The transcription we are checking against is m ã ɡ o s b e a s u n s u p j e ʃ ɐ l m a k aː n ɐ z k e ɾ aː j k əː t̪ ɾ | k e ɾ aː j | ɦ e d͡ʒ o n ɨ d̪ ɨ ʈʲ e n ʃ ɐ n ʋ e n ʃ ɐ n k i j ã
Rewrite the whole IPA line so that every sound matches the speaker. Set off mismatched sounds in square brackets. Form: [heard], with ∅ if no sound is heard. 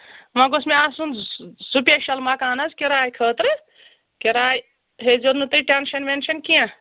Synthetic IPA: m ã ɡ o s [m] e a s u n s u p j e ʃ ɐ l m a k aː n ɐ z k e ɾ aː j [kʰ] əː t̪ ɾ | k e ɾ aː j | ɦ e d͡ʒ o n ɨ [t̪] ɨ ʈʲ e n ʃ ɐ n ʋ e n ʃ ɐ n k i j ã